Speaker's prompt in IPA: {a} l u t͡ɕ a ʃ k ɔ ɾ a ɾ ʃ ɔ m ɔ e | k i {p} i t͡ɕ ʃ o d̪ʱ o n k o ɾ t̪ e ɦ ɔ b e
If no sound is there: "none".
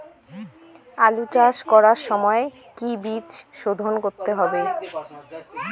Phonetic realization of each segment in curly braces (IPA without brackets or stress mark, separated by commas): a, b